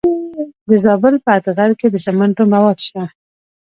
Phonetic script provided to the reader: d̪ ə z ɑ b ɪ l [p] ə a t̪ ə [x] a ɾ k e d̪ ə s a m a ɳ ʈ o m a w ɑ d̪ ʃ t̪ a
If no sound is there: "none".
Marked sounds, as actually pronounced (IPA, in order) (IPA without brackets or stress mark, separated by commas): p, ɣ